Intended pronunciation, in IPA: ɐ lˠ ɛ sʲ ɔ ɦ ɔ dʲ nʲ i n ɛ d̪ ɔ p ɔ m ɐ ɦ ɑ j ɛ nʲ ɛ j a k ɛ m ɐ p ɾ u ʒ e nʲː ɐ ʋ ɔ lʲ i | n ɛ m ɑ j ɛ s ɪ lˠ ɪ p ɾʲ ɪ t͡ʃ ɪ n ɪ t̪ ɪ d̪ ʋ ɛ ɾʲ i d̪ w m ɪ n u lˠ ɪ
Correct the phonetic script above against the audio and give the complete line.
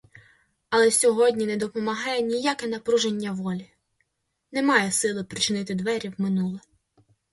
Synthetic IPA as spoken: ɐ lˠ ɛ sʲ ɔ ɦ ɔ dʲ nʲ i n ɛ d̪ ɔ p ɔ m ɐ ɦ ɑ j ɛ nʲ i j a k ɛ n ɐ p ɾ u ʒ e nʲː ɐ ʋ ɔ lʲ i | n ɛ m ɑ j ɛ s ɪ lˠ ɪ p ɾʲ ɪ t͡ʃ ɪ n ɪ t̪ ɪ d̪ ʋ ɛ ɾʲ i w m ɪ n u lˠ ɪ